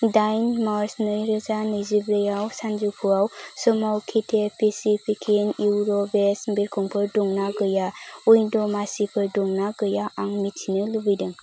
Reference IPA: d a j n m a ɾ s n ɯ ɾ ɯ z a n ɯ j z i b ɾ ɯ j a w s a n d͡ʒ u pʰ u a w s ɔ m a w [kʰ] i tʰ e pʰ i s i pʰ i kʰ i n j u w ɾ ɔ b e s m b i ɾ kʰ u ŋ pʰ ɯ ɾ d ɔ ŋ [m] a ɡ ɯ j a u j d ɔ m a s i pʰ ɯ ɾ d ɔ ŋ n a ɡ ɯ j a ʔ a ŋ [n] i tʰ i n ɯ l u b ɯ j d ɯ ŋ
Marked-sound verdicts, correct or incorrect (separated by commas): correct, incorrect, incorrect